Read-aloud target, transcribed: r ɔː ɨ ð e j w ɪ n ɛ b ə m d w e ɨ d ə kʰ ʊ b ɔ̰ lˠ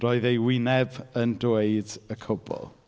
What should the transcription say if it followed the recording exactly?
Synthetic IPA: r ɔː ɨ ð e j w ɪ n ɛ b ə n d w e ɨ d ə kʰ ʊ b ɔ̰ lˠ